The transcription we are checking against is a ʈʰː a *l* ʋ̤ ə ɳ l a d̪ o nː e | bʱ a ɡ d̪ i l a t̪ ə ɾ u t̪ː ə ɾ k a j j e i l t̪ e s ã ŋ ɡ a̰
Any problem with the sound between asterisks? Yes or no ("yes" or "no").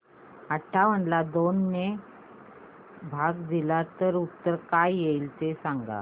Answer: yes